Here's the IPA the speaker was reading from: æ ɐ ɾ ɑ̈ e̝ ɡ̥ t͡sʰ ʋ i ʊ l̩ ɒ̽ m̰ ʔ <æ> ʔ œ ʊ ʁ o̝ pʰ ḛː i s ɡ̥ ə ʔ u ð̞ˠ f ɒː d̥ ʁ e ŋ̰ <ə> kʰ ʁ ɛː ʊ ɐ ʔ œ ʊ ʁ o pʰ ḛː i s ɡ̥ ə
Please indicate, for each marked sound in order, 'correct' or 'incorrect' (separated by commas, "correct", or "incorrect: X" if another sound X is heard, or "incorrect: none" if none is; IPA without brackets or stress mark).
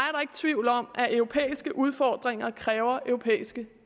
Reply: correct, incorrect: ɐ